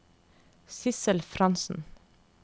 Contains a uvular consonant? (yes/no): no